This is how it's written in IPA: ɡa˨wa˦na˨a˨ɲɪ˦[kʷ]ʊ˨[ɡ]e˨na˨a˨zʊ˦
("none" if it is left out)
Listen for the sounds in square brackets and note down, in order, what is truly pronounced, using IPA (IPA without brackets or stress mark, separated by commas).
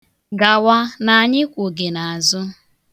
kʷ, ɡ